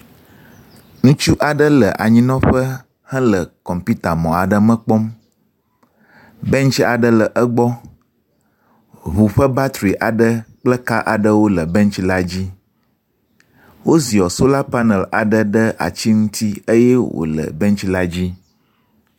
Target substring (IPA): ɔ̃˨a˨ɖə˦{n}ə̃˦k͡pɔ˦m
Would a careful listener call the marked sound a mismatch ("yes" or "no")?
yes